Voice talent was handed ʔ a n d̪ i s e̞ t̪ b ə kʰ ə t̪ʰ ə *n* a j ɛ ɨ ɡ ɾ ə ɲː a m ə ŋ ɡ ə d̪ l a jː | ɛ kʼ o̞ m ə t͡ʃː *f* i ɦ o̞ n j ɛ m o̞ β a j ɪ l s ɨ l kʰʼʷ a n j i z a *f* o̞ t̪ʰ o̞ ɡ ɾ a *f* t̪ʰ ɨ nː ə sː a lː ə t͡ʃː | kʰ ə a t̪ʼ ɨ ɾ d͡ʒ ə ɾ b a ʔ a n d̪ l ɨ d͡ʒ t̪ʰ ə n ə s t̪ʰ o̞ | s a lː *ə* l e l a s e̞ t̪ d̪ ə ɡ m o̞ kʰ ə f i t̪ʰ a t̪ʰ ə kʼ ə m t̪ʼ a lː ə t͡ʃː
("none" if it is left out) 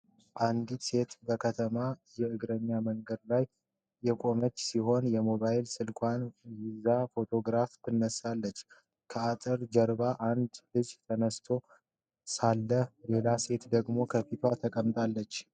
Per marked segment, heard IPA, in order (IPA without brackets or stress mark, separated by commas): m, s, f, f, ə